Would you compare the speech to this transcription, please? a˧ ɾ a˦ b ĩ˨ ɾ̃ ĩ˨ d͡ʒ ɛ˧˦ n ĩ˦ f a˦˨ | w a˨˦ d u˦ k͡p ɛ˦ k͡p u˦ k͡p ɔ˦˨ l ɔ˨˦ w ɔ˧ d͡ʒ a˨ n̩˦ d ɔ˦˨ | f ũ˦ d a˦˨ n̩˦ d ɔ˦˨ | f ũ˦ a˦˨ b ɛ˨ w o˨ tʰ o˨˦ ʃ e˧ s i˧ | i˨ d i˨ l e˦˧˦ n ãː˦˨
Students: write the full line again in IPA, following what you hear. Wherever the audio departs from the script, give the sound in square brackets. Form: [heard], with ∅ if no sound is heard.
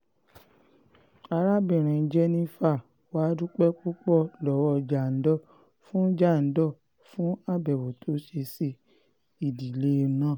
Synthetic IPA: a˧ ɾ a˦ b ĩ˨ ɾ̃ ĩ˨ d͡ʒ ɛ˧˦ n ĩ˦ f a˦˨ | w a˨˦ d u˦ k͡p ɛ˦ k͡p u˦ k͡p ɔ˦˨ l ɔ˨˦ w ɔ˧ d͡ʒ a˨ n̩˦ d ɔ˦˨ | f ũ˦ [d͡ʒ] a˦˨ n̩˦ d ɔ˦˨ | f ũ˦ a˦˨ b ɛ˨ w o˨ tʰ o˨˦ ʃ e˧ s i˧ | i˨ d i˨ l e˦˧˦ n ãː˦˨